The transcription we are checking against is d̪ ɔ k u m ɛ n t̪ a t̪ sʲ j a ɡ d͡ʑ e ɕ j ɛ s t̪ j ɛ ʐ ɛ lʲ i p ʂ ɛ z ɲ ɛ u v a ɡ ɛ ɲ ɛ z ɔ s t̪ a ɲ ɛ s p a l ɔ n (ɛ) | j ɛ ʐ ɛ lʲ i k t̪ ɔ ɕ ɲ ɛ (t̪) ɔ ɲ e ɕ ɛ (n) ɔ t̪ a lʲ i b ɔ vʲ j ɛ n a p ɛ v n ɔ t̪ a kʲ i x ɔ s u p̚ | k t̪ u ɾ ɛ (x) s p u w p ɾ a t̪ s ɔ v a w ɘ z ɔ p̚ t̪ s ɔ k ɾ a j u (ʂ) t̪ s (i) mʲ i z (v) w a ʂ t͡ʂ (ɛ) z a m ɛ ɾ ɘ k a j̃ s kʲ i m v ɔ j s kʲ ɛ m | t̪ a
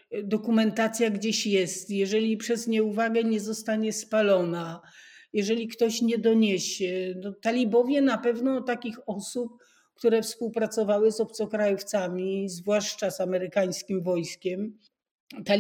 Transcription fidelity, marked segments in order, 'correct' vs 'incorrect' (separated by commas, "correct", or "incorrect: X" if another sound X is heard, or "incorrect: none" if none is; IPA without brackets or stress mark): incorrect: a, incorrect: d̪, correct, incorrect: f, incorrect: f, incorrect: a, correct, incorrect: a